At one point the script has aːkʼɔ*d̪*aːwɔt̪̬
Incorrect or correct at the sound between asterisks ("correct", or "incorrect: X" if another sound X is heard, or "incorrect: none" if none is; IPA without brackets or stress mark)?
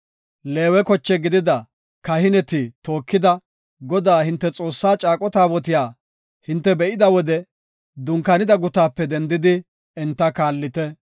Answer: incorrect: t̪